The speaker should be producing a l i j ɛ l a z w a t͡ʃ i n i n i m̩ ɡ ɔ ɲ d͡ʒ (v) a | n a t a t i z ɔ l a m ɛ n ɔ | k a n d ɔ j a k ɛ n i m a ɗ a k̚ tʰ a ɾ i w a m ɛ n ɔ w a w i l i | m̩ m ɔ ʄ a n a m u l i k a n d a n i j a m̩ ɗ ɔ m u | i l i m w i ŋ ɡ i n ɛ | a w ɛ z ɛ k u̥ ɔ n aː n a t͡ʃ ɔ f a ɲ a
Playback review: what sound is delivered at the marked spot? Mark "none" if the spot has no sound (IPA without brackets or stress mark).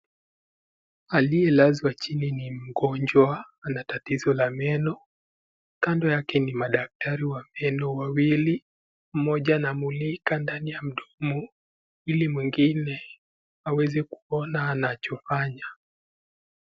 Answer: w